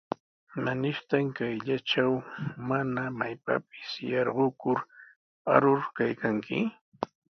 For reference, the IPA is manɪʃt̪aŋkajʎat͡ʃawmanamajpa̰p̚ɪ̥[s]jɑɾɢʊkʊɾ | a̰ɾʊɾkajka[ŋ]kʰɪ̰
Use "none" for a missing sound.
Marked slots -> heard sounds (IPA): s, ŋ

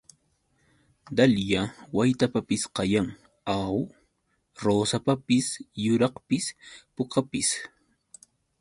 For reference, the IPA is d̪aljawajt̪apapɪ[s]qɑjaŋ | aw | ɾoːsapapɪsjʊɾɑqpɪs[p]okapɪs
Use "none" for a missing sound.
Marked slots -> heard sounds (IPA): s, p

